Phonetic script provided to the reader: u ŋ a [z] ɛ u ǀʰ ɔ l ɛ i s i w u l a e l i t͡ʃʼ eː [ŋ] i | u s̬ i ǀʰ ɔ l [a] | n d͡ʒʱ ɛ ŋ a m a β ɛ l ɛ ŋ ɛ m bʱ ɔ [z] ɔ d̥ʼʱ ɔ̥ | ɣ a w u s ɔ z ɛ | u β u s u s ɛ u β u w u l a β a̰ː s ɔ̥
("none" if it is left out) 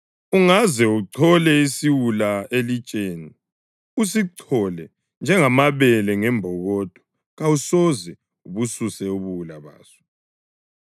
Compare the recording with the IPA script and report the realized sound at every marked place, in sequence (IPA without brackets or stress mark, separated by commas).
z, n, ɛ, ɣ